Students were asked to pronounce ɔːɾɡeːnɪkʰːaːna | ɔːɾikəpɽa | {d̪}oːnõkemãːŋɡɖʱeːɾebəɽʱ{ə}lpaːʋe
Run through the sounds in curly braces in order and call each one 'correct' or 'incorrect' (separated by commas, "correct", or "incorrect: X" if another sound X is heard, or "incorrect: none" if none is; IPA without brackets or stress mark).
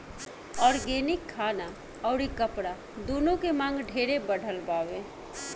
correct, correct